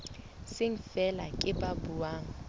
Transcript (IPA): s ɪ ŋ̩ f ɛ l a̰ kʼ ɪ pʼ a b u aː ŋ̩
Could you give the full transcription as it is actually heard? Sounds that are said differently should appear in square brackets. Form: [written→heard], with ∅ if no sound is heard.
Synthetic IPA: s ɪ ŋ̩ f ɛ l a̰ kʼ ɪ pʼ a b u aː ŋ̩